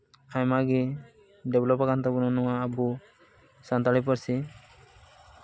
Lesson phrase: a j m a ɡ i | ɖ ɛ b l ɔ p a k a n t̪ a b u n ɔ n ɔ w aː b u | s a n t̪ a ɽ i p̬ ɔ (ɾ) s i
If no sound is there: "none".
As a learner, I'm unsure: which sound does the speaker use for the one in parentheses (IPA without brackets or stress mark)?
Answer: ɾ